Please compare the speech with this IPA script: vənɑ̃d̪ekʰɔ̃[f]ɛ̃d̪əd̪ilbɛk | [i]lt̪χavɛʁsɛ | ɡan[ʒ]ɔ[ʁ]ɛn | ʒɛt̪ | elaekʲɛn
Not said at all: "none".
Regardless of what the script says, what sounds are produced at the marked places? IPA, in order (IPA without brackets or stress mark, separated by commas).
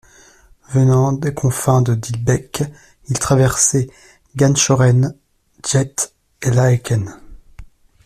f, i, ʃ, ʁ